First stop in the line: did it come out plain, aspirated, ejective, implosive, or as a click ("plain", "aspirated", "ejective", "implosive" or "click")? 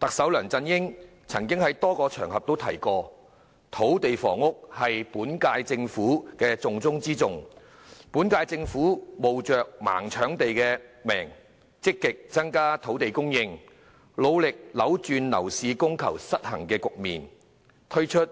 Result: plain